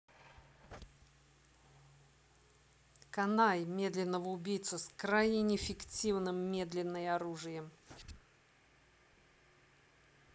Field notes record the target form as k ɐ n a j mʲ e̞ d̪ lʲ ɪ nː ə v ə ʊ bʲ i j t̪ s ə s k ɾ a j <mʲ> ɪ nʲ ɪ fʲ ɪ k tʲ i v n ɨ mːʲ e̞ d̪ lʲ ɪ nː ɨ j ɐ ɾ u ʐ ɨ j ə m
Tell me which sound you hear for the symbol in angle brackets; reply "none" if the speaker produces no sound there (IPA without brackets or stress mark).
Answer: nʲ